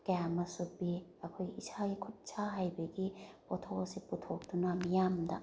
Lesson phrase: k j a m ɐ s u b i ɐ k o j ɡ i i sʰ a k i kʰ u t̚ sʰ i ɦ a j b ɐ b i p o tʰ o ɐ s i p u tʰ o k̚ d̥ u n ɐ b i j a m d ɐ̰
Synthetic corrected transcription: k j a m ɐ s u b i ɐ kʰ o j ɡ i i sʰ a ɡ i kʰ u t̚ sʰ a ɦ a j b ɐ ɡ i p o tʰ o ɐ s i p u tʰ o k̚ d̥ u n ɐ m i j a m d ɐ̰